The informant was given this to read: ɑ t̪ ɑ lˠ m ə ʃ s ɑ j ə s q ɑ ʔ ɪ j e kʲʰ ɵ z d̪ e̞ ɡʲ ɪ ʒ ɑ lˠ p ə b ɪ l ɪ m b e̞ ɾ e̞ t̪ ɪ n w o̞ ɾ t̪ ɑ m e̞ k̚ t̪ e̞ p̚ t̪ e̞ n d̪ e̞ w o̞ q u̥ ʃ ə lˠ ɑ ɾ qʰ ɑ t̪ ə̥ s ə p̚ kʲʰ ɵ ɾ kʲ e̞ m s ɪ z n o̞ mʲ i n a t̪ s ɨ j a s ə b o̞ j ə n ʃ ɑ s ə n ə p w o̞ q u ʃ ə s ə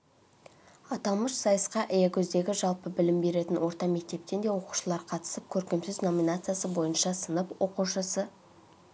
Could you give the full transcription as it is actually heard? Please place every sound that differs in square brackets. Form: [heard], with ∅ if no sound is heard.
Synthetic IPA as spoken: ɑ t̪ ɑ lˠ m ə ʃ s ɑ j ə s q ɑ ʔ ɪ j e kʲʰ ɵ z d̪ e̞ ɡʲ ɪ ʒ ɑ lˠ p ə b ɪ l ɪ m b e̞ ɾ e̞ t̪ ɪ n w o̞ ɾ t̪ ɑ m e̞ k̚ t̪ e̞ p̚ t̪ e̞ n d̪ e̞ w o̞ q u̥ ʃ ə lˠ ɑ ɾ qʰ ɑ t̪ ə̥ s ə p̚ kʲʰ ɵ ɾ kʲ e̞ m s ɪ z n o̞ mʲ i n a t̪ s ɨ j a s ə b o̞ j ə n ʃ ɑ s ə n ə p w o̞ q u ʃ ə s ə

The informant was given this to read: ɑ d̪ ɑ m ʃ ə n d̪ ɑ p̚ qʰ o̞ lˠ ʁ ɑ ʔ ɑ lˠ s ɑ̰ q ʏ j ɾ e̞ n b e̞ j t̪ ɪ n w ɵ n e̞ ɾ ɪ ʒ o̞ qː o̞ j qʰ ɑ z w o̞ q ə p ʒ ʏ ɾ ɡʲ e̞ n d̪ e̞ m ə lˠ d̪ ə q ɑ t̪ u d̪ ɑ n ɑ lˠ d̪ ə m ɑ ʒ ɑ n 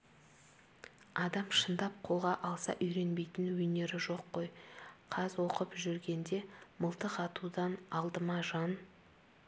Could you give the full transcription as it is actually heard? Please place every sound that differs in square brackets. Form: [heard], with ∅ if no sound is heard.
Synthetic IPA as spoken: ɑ d̪ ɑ m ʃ ə n d̪ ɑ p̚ qʰ o̞ lˠ ʁ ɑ ʔ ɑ lˠ s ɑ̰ [ʔ] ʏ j ɾ e̞ n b e̞ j t̪ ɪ n w ɵ n e̞ ɾ ɪ ʒ o̞ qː o̞ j qʰ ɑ z w o̞ q ə p ʒ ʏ ɾ ɡʲ e̞ n d̪ e̞ m ə lˠ [t̪] ə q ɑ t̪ u d̪ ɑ n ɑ lˠ d̪ ə m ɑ ʒ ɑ n

